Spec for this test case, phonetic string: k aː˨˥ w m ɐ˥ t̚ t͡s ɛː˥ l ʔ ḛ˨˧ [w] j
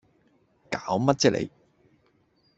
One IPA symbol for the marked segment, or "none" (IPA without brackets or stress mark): none